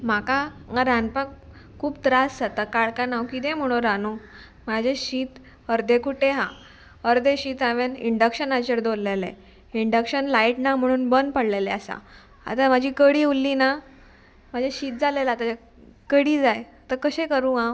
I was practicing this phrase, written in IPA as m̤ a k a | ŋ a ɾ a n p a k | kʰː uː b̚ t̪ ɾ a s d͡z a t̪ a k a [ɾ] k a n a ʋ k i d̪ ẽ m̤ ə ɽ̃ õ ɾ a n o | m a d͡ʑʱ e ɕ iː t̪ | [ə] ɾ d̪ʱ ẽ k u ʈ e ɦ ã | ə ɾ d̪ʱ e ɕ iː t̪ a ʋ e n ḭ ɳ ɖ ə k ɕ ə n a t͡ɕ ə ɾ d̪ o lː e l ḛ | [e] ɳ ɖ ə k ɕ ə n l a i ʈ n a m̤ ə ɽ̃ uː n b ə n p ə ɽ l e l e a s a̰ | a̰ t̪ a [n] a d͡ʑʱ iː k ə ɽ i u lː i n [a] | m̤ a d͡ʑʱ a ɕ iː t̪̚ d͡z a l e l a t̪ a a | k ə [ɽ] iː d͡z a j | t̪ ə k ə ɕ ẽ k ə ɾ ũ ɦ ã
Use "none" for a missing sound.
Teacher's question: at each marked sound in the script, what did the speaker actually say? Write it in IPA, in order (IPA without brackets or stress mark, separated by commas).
ɭ, ə, i, m, a, ɽ